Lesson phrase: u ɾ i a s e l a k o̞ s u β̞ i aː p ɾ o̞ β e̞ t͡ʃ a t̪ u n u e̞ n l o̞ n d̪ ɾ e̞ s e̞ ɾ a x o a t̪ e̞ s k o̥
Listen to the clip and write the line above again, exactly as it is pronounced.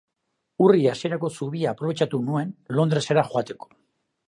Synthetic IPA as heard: u r i a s e ɾ a k o̞ s u β̞ i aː p ɾ o̞ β e̞ t͡ʃ a t̪ u n u e̞ n l o̞ n d̪ ɾ e̞ s e̞ ɾ a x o a t̪ e̞ k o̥

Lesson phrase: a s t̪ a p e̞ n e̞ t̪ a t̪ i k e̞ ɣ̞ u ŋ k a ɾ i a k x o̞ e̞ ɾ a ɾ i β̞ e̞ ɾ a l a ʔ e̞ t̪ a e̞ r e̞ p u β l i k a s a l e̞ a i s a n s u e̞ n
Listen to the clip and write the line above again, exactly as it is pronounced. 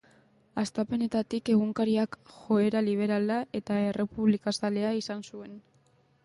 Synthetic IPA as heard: a s t̪ a p e̞ n e̞ t̪ a t̪ i k e̞ ɣ̞ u ŋ k a ɾ i a k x o̞ e̞ ɾ a l i β̞ e̞ ɾ a l a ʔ e̞ t̪ a e̞ r e̞ p u β l i k a s a l e̞ a i s a n s u e̞ n

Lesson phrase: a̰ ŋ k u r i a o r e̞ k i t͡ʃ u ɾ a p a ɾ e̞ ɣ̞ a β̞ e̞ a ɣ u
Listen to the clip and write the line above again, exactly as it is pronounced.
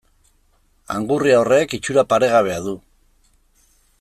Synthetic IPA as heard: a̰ ŋ ɡ u r i a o r e̞ k i t͡ʃ u ɾ a p a ɾ e̞ ɣ̞ a β̞ e̞ a ð u

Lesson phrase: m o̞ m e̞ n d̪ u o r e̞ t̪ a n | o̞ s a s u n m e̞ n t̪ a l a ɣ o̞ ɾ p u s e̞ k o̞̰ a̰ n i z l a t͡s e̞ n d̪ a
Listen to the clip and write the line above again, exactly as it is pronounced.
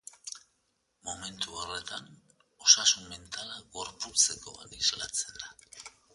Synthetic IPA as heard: m o̞ m e̞ n t̪ u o r e̞ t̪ a n | o̞ s a s u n m e̞ n t̪ a l a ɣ o̞ ɾ p u t͡s e̞ k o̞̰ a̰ n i z l a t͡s e̞ n d̪ a

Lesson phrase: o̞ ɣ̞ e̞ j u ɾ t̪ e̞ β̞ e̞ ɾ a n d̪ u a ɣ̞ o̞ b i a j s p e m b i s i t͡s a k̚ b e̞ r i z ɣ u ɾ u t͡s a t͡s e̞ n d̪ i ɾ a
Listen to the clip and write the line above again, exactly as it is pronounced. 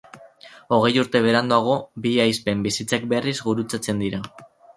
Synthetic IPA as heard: o̞ ɣ̞ e̞ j u ɾ t̪ e̞ β̞ e̞ ɾ a n d̪ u a ɣ̞ o̞ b i a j s p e m b i s i t͡s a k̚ b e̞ r i z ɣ u ɾ u t͡s a t͡s e̞ n d̪ i ɾ a

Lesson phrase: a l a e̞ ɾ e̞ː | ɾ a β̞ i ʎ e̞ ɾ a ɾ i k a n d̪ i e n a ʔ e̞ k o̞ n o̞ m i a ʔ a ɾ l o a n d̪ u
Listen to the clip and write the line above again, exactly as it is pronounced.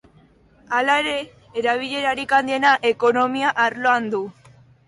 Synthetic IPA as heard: a l a e̞ ɾ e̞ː | ɾ a β̞ i ʎ e̞ ɾ a ɾ i k a n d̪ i e n a ʔ e̞ k o̞ n o̞ m i a ʔ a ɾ l o a n d̪ u

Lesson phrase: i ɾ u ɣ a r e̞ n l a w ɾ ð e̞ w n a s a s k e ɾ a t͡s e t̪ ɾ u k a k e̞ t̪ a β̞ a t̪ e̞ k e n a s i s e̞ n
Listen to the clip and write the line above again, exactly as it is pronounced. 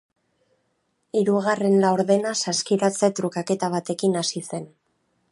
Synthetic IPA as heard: i ɾ u ɣ a r e̞ n l a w ɾ ð e̞ n a s a s k i ɾ a t͡s e t̪ ɾ u k a k e̞ t̪ a β̞ a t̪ e̞ k i n a s i s e̞ n

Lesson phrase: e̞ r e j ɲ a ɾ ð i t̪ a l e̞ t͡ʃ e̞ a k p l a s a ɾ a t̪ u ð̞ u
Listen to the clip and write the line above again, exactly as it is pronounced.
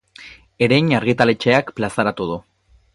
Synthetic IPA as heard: e̞ ɾ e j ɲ a ɾ ɣ i t̪ a l e̞ t͡ʃ e̞ a k p l a s a ɾ a t̪ u ð̞ u

